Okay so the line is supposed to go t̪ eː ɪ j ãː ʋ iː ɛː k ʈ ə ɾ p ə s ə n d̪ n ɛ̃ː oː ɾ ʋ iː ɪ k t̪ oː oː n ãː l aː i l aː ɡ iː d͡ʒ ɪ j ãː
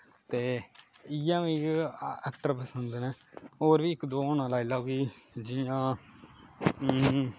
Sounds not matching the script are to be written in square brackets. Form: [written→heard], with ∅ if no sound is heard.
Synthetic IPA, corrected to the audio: t̪ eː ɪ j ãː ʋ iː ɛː k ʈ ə ɾ p ə s ə n d̪ n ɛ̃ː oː ɾ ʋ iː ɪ k [t̪→d̪] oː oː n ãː l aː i l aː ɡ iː d͡ʒ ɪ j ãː